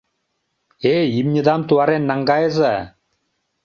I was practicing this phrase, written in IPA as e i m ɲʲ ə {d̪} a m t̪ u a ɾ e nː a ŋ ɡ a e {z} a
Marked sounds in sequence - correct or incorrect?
correct, correct

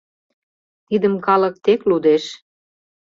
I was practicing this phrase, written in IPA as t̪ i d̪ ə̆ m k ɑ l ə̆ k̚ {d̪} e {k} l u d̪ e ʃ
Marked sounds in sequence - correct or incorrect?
incorrect: t̪, correct

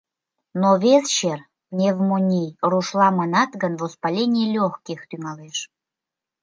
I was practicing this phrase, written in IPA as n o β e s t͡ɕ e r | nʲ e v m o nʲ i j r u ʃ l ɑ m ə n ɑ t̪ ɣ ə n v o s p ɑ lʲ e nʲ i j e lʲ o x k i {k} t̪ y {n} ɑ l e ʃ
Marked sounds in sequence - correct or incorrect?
incorrect: x, incorrect: ŋ

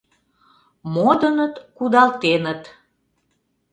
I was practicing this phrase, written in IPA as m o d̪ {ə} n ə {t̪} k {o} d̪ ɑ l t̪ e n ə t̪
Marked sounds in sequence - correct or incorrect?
correct, correct, incorrect: u

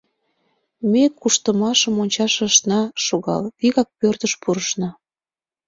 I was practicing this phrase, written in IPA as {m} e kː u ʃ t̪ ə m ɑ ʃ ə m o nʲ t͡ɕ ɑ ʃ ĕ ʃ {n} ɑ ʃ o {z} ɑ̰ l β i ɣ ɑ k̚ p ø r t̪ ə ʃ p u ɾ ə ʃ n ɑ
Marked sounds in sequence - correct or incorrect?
correct, correct, incorrect: ɣ

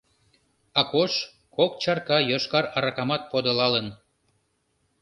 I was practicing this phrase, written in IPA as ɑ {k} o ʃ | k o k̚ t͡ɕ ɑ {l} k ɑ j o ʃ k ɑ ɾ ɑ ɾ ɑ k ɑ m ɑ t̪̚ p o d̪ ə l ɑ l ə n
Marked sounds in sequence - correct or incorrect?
correct, incorrect: r

